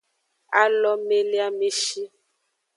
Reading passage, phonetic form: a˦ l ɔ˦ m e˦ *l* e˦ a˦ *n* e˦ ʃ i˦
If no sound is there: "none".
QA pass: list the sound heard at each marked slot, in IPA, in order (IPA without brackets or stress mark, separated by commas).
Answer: l, m